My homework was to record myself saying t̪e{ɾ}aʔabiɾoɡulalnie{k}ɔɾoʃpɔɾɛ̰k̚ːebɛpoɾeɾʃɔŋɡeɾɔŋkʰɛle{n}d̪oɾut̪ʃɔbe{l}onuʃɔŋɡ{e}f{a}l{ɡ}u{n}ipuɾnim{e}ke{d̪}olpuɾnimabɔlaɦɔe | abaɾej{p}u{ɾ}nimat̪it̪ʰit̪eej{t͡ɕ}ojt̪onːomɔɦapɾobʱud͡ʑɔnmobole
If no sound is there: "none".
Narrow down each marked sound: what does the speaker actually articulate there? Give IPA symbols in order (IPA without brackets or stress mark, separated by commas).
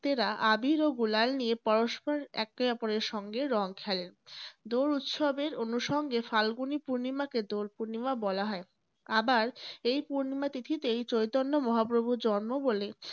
ɾ, p, n, ɾ, e, a, ɡ, n, a, d̪, p, ɾ, t͡ɕ